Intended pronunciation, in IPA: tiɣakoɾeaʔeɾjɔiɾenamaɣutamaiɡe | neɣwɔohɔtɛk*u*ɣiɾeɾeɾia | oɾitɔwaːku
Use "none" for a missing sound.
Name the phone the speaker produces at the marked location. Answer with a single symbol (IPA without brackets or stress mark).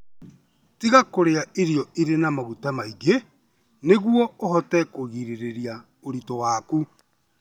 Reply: o